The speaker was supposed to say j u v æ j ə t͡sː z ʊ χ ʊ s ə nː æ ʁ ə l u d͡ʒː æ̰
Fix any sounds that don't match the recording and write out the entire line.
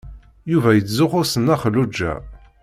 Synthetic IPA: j u v æ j ə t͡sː z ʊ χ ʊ s ə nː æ χ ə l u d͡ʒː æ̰